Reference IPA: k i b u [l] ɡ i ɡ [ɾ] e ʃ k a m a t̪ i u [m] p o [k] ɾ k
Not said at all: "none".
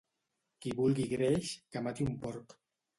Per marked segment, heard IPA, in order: l, ɾ, m, none

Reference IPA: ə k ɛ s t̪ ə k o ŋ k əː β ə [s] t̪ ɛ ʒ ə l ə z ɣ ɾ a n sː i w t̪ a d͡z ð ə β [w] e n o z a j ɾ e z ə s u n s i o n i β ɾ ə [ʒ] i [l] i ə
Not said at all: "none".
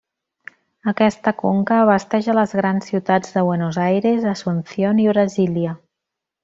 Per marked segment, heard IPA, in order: s, w, z, l

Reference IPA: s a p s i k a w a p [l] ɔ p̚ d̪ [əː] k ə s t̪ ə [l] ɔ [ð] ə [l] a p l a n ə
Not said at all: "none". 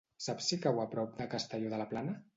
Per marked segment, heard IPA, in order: ɾ, ə, ʎ, ð, l

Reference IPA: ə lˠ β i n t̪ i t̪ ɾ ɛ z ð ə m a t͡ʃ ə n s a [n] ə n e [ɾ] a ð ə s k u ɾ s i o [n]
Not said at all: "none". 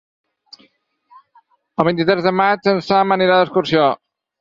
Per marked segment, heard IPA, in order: m, ɾ, none

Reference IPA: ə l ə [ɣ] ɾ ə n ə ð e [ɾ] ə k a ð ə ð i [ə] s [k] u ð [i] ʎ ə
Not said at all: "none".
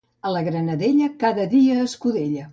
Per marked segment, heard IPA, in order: ɣ, ʎ, əː, k, e

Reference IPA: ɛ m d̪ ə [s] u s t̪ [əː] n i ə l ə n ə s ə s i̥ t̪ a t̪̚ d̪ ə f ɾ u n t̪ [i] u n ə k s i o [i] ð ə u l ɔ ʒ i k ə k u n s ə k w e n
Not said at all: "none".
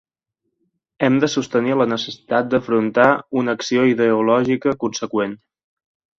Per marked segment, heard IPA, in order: s, ə, a, i

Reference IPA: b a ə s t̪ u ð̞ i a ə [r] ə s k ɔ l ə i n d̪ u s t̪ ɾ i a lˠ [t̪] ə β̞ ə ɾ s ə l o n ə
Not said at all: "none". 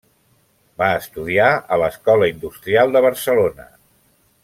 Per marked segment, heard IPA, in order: l, d̪

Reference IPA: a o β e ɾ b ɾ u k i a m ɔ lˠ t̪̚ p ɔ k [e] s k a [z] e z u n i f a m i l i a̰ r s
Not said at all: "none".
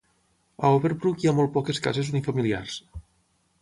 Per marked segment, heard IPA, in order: e, z

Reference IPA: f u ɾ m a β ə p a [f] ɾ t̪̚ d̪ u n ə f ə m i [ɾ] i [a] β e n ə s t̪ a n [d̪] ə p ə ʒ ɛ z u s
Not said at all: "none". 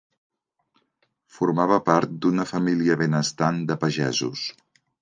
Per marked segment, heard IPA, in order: none, l, ə, d̪

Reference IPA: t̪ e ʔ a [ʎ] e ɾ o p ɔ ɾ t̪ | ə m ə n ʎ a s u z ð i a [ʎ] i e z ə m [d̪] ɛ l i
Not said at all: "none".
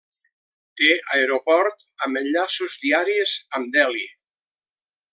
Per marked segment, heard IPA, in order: none, ɾ, d̪

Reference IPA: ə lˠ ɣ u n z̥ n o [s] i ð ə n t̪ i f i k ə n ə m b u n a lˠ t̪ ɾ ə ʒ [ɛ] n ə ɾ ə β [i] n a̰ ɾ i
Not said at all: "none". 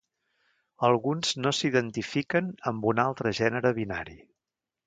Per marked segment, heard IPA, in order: s, ɛ, i

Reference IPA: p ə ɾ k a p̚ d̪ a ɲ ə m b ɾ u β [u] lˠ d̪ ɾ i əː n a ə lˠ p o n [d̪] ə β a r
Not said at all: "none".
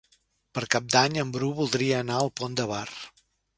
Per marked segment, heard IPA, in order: u, d̪

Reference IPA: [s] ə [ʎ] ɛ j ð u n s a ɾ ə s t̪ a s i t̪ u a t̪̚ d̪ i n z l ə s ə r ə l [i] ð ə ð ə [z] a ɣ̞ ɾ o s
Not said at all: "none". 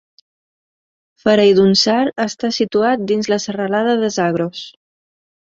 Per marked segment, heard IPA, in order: f, ɾ, a, z

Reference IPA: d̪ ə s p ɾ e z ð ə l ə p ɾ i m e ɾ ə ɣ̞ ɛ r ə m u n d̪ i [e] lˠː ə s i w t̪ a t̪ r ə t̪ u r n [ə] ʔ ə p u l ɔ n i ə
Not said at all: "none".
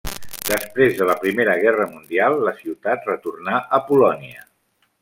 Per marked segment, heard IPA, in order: a, a

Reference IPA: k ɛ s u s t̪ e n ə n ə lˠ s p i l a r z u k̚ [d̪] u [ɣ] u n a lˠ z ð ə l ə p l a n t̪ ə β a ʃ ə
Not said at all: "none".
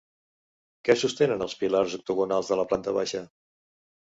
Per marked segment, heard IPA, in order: t̪, ɣ

